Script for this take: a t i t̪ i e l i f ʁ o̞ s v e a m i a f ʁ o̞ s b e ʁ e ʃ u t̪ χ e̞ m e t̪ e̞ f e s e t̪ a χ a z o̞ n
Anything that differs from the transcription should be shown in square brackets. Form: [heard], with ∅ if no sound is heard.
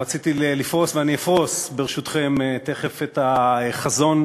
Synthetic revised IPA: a [t͡s] i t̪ i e l i f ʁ o̞ s v e a [n] i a f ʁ o̞ s b e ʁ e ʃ u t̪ χ e̞ m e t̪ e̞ [χ] e [f] e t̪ a χ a z o̞ n